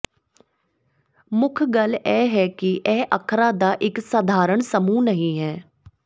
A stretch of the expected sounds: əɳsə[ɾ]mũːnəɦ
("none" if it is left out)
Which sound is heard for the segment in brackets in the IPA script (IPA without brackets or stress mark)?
none